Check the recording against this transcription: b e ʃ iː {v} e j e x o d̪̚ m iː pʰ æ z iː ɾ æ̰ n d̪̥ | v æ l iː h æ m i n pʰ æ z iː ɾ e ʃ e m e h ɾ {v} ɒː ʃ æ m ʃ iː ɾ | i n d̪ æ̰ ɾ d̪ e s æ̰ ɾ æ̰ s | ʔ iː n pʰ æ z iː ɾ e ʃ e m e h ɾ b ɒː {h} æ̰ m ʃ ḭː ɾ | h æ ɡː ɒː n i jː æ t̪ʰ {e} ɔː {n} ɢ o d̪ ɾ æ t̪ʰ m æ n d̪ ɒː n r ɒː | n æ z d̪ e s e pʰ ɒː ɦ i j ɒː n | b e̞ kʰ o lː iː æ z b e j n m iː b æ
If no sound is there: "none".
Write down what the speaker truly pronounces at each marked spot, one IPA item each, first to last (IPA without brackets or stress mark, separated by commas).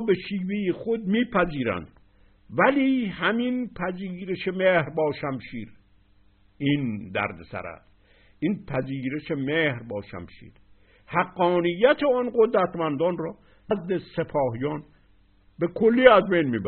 v, b, ʃ, e, n